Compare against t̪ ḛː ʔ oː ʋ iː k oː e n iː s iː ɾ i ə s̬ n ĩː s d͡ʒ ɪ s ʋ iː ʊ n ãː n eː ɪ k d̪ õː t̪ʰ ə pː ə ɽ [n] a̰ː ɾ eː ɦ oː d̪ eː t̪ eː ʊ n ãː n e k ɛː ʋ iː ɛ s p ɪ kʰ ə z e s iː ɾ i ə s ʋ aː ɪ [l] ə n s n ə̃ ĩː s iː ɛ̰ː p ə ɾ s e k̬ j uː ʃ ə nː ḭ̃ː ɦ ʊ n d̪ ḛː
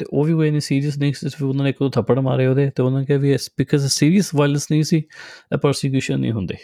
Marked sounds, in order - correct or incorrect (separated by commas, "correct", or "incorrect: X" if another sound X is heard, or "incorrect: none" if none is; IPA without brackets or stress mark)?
incorrect: m, correct